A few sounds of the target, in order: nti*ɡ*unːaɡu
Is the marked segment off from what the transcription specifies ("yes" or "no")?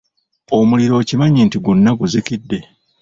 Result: no